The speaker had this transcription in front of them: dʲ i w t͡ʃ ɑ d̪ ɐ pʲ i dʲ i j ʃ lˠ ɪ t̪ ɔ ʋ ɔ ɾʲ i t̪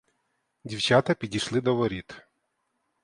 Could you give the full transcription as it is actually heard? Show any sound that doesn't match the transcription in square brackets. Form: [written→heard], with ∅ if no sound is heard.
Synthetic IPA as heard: dʲ i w t͡ʃ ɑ [d̪→t̪] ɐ pʲ i dʲ i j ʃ lˠ ɪ [t̪→d̪] ɔ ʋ ɔ ɾʲ i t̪